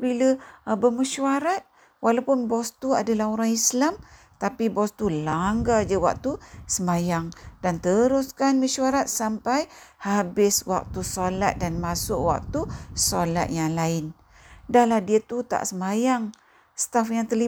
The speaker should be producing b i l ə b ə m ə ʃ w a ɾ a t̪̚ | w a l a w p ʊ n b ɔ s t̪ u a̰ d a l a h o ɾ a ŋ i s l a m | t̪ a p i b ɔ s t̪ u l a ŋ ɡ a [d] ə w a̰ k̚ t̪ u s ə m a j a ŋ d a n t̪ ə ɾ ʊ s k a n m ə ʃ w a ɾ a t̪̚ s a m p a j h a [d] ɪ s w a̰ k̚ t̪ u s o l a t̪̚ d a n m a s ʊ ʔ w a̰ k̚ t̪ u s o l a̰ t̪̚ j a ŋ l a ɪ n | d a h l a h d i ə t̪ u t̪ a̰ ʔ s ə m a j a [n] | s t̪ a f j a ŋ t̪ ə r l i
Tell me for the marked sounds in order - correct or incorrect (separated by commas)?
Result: incorrect, incorrect, incorrect